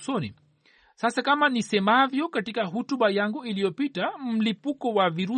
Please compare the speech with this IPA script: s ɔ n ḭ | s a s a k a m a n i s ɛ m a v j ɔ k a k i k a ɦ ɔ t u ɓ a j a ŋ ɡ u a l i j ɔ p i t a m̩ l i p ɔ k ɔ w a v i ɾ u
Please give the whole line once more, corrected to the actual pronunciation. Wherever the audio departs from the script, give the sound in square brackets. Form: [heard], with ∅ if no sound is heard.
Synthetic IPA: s ɔ n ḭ | s a s a k a m a n i s ɛ m a v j ɔ k a [t] i k a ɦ [u] t u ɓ a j a ŋ ɡ u [i] l i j ɔ p i t a m̩ l i p [u] k ɔ w a v i ɾ u